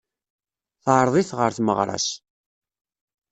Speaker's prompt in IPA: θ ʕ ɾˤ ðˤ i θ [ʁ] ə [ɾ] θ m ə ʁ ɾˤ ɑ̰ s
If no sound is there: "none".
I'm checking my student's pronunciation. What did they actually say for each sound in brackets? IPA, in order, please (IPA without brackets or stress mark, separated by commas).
ʁ, ɾ